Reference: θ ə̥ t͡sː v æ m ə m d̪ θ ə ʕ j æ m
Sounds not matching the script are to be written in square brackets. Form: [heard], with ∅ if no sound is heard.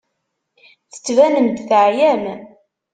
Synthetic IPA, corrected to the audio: θ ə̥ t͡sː v æ [n] ə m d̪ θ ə ʕ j æ m